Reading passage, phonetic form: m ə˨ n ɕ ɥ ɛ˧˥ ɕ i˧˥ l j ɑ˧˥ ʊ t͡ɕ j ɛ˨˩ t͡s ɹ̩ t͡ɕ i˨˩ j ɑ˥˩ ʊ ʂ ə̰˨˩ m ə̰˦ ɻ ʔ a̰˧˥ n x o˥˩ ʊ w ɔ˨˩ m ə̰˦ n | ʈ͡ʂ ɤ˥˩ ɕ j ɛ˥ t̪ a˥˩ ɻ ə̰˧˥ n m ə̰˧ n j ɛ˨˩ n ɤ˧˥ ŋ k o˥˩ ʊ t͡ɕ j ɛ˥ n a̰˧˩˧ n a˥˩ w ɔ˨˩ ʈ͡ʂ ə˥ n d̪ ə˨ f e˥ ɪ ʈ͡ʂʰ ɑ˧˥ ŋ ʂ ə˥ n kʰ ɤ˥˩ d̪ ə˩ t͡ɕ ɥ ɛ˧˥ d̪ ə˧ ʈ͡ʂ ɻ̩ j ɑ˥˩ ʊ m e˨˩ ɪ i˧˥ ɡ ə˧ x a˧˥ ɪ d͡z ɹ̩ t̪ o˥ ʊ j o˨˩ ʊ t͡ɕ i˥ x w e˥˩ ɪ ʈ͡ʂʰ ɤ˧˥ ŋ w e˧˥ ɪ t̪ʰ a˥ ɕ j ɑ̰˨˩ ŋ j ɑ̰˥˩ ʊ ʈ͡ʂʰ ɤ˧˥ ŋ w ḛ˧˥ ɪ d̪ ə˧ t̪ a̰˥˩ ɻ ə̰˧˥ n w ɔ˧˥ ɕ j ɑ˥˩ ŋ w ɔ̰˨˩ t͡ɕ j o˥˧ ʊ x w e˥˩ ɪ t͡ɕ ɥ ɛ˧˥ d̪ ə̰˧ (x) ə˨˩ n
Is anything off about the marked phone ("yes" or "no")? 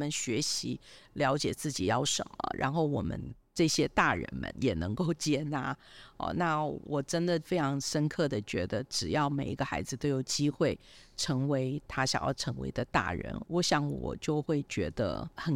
no